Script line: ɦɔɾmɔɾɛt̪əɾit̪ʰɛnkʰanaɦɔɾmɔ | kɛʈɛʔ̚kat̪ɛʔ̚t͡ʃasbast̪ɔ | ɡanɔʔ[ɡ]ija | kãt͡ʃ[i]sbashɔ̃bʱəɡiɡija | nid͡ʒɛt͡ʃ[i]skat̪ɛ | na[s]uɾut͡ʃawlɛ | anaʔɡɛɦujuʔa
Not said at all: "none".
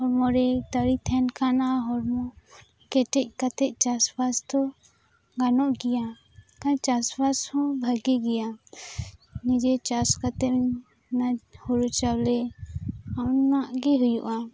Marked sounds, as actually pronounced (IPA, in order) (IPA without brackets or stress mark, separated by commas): ɡ, a, a, h